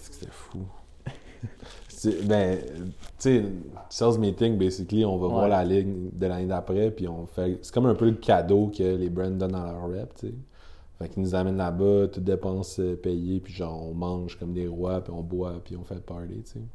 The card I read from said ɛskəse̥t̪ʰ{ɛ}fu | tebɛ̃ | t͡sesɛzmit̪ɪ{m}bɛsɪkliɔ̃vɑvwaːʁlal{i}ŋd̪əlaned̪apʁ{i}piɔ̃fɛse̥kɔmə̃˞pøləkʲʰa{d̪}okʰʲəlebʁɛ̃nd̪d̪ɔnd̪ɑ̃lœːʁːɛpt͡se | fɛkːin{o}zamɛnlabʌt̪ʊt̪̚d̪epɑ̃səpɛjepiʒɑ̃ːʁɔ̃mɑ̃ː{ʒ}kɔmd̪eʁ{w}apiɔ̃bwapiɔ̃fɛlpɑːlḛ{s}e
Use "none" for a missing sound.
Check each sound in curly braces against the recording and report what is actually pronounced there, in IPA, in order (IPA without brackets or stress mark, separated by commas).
ɛ, ŋ, ɪ, ɛ, d̪, u, ʒ, w, t͡s